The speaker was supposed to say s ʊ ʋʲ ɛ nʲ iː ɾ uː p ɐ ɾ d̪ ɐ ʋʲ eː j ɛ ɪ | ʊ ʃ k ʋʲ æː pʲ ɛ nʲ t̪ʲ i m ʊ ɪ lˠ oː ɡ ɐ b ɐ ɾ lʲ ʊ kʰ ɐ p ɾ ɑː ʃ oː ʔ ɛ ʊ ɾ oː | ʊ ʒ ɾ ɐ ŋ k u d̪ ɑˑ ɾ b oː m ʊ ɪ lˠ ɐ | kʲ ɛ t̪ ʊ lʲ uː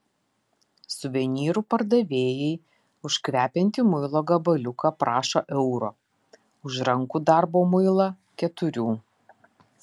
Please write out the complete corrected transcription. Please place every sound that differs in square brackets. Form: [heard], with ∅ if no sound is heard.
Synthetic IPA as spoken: s ʊ ʋʲ ɛ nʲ iː ɾ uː p ɐ ɾ d̪ ɐ ʋʲ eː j ɛ ɪ | ʊ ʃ k ʋʲ æː pʲ ɛ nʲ t̪ʲ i m ʊ ɪ lˠ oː ɡ ɐ b ɐ [∅] lʲ ʊ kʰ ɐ p ɾ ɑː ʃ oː ʔ ɛ ʊ ɾ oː | ʊ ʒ ɾ ɐ ŋ k u d̪ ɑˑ ɾ b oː m ʊ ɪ lˠ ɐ | kʲ ɛ t̪ ʊ [ɾʲ] uː